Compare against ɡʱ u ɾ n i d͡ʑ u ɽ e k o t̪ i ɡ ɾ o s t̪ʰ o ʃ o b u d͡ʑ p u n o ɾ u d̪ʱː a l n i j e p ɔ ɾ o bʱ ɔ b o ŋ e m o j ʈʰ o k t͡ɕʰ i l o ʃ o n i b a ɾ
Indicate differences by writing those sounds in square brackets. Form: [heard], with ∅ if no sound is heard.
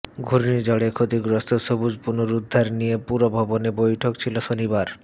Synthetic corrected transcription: ɡʱ u ɾ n i d͡ʑ [ɔ] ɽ e [kʰ] o t̪ i ɡ ɾ o s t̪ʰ o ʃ o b u d͡ʑ p u n o ɾ u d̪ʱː a [ɾ] n i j e p [u] ɾ o bʱ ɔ b o [n] e [b] o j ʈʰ o k t͡ɕʰ i l o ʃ o n i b a ɾ